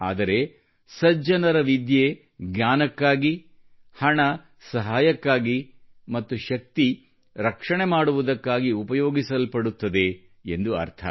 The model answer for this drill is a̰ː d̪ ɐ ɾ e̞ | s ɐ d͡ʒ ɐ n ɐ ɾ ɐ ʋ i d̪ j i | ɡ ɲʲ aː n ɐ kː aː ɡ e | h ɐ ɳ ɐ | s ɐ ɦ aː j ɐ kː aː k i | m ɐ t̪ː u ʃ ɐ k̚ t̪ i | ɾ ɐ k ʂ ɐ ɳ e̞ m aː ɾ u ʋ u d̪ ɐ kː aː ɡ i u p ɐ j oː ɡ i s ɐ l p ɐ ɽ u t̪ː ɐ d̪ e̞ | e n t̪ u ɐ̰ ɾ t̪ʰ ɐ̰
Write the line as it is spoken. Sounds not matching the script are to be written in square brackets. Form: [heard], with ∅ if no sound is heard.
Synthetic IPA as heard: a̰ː d̪ ɐ ɾ e̞ | s ɐ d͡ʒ ɐ n ɐ ɾ ɐ ʋ i d̪ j [e] | ɡ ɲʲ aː n ɐ kː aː ɡ [i] | h ɐ ɳ ɐ | s ɐ ɦ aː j ɐ kː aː [ɡ] i | m ɐ t̪ː u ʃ ɐ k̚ t̪ i | ɾ ɐ k ʂ ɐ ɳ e̞ m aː [ɽ] u ʋ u d̪ ɐ kː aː ɡ i u p ɐ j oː ɡ i s ɐ l p ɐ ɽ u t̪ː ɐ d̪ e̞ | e n [d̪] u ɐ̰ ɾ t̪ʰ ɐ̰

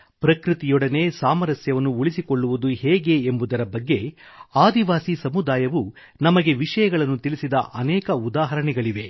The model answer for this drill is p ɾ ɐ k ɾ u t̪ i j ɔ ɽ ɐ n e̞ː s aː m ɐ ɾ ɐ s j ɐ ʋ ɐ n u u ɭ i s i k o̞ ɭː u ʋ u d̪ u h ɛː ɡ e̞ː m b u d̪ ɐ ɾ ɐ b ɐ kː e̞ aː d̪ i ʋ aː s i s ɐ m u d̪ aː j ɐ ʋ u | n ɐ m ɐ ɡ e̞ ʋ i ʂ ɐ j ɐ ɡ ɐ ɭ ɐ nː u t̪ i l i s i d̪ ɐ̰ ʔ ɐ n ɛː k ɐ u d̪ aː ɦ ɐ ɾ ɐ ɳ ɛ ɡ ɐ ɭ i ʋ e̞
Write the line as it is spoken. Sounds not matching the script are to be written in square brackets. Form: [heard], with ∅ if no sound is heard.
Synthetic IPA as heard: p ɾ ɐ k ɾ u t̪ i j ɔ ɽ ɐ n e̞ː s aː m ɐ ɾ ɐ s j ɐ ʋ ɐ [nː] u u ɭ i s i k o̞ ɭː u ʋ u d̪ u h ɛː ɡ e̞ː m b u d̪ ɐ ɾ ɐ b ɐ [ɡː] e̞ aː d̪ i ʋ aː s i s ɐ m u d̪ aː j ɐ ʋ u | n ɐ m ɐ ɡ e̞ ʋ i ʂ ɐ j ɐ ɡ ɐ ɭ ɐ nː u t̪ i l i s i d̪ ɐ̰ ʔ ɐ n ɛː k ɐ u d̪ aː ɦ ɐ ɾ ɐ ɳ ɛ ɡ ɐ ɭ i ʋ e̞

